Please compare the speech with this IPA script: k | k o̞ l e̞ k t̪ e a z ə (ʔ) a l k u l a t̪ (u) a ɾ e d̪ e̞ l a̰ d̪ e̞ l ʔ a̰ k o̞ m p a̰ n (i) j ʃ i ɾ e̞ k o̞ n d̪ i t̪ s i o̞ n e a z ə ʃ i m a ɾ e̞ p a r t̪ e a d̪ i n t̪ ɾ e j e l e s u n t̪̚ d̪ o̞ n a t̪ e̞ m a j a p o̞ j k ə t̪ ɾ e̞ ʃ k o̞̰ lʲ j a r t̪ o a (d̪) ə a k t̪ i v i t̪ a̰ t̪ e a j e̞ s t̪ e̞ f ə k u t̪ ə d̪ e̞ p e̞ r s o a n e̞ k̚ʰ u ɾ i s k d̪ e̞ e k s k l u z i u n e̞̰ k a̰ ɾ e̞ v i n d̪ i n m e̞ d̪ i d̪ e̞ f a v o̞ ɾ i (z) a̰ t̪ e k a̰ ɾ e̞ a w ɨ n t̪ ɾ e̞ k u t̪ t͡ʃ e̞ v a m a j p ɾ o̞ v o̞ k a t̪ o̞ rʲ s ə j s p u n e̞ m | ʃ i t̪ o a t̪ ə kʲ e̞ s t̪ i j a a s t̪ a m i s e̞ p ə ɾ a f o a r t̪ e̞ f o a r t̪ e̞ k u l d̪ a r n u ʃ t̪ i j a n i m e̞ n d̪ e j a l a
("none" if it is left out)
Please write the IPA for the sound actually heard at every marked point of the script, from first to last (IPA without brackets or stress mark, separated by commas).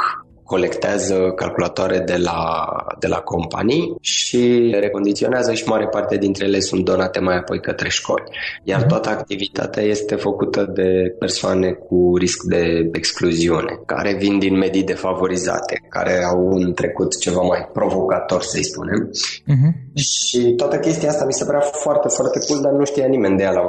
k, o, i, t̪, z